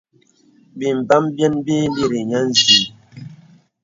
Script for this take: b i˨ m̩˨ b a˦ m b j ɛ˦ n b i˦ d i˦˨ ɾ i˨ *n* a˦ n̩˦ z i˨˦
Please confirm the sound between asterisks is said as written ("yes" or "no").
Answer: no